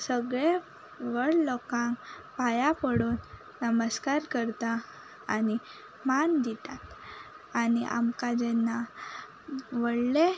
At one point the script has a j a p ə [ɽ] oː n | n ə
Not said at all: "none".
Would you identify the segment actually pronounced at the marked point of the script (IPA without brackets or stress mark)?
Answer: ɽ